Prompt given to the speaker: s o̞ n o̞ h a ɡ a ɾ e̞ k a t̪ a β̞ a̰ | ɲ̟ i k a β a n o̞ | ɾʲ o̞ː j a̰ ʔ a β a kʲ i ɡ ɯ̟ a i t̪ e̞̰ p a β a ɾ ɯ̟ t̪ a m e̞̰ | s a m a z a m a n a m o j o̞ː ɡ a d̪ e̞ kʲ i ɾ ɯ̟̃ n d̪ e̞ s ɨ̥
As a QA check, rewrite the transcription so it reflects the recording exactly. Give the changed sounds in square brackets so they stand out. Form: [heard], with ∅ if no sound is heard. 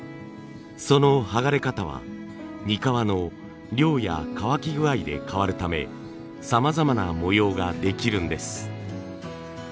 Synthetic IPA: s o̞ n o̞ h a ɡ a ɾ e̞ k a t̪ a β̞ a̰ | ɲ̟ i k a β a n o̞ | ɾʲ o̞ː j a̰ [k] a β a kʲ i ɡ ɯ̟ a i [d̪] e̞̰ [k] a β a ɾ ɯ̟ t̪ a m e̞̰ | s a m a z a m a n a m o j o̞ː ɡ a d̪ e̞ kʲ i ɾ ɯ̟̃ n d̪ e̞ s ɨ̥